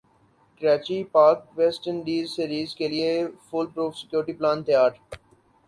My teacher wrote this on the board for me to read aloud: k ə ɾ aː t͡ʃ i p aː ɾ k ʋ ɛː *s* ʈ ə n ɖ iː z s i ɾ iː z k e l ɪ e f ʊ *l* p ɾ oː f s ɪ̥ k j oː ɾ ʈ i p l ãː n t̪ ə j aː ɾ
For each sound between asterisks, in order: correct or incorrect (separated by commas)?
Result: correct, correct